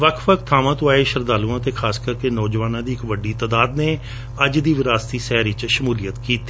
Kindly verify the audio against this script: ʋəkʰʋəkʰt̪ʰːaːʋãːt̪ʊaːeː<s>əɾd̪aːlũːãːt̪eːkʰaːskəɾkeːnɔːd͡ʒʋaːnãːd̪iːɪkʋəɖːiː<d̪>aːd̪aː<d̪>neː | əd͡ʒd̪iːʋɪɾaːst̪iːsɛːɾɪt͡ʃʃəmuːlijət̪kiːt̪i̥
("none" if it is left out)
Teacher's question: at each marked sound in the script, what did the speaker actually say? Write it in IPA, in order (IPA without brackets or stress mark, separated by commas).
ʃ, t̪, d̪